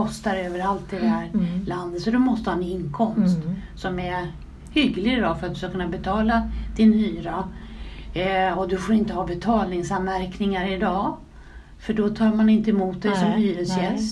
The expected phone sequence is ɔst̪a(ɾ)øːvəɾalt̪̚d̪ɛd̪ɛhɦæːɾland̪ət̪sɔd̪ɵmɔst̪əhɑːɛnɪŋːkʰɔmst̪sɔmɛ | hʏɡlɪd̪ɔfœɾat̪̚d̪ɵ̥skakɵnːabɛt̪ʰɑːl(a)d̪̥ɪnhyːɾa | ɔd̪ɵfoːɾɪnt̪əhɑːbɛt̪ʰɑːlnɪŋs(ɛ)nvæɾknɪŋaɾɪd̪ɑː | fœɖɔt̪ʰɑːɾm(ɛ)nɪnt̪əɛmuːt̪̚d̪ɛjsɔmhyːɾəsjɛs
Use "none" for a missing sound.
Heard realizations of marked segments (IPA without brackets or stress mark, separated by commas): ɾ, a, a, a